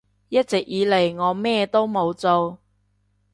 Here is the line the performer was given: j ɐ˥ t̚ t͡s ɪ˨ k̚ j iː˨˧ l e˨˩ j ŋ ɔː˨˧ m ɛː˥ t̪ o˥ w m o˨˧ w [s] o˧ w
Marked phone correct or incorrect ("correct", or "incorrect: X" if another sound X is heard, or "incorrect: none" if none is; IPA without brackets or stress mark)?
incorrect: t͡s